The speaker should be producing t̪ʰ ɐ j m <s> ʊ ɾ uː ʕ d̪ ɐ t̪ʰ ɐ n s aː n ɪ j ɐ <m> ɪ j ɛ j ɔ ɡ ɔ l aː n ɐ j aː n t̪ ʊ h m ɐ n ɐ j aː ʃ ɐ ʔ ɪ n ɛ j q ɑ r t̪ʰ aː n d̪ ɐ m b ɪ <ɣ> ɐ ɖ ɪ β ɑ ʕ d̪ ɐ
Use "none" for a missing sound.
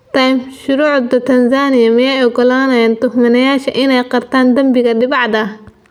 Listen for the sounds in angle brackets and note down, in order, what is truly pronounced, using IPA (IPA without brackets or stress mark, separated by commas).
ʃ, m, ɣ